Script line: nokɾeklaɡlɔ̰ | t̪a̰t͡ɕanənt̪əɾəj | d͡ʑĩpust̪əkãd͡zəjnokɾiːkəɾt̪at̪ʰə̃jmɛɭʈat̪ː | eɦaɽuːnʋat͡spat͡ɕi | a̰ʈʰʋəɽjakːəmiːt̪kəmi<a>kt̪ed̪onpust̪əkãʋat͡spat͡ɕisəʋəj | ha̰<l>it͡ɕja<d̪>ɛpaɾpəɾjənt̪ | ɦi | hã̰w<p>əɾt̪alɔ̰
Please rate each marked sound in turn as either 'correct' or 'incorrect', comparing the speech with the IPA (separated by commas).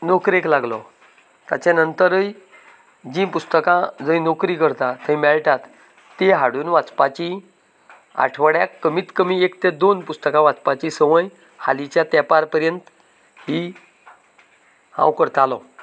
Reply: incorrect, correct, incorrect, incorrect